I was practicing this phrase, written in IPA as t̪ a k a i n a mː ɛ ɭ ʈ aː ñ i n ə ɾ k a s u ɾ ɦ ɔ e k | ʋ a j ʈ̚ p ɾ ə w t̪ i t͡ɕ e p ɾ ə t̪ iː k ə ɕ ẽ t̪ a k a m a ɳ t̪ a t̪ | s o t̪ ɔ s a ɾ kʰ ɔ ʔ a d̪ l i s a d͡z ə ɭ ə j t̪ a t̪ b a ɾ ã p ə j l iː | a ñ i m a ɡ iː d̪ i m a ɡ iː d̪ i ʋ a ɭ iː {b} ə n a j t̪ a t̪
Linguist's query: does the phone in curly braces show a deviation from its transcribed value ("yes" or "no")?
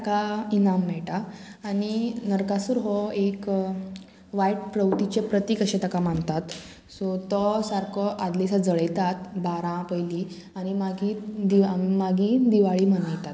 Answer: yes